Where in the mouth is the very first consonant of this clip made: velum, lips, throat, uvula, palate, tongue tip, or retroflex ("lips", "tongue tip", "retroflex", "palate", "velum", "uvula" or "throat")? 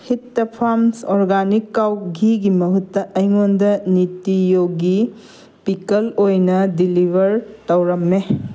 throat